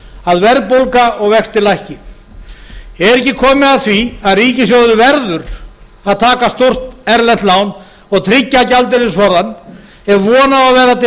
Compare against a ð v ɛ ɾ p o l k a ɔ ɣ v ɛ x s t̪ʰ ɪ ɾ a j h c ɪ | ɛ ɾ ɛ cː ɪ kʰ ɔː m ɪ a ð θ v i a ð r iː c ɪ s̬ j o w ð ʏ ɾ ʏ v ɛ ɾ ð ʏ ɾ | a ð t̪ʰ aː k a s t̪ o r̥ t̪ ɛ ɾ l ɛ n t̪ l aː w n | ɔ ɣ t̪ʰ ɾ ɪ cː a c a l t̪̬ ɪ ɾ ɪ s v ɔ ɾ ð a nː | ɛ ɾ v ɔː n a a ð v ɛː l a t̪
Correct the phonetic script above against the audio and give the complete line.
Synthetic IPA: a ð v ɛ ɾ p o l k a ɔ ɣ v ɛ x s t̪ ɪ l a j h c ɪ | ɛ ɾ ɛ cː ɪ kʰ ɔː m ɪ a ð θ v i a ð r iː c ɪ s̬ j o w ð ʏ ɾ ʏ v ɛ ɾ ð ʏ ɾ | a ð t̪ʰ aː k a s t̪ o r̥ t̪ ɛ ɾ l ɛ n t̪ l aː w n | ɔ ɣ t̪ʰ ɾ ɪ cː a c a l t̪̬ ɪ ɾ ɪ s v ɔ ɾ ð a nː | ɛ ɾ v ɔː n a a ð v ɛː ɾ a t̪